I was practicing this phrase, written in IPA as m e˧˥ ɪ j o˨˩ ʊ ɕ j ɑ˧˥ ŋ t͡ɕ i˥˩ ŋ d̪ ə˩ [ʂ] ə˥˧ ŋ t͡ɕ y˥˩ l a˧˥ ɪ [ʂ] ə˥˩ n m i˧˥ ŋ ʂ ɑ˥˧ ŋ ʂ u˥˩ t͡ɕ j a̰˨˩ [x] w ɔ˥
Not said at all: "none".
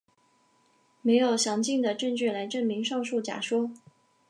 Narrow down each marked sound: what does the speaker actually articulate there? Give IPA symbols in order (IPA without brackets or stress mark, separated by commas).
ʈ͡ʂ, ʈ͡ʂ, ʂ